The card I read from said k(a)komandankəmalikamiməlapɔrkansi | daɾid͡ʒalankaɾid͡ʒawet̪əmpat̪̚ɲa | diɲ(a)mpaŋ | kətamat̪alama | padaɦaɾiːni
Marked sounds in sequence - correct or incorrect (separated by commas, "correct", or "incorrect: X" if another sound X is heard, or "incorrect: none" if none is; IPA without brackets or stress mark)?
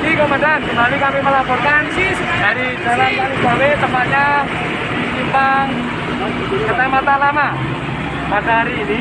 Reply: incorrect: i, incorrect: i